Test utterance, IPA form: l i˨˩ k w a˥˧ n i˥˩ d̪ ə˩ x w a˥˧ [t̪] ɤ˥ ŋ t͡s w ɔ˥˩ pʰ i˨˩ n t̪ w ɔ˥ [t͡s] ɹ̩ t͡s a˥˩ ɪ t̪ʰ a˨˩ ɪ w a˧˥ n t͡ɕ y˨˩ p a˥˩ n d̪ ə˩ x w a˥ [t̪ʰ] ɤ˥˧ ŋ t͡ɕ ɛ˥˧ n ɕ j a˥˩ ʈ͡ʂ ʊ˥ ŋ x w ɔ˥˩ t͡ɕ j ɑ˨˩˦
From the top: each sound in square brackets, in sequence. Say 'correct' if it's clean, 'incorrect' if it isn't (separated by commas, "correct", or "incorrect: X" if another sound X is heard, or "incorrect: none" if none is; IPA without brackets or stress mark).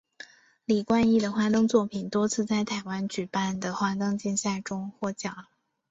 correct, incorrect: t͡sʰ, incorrect: t̪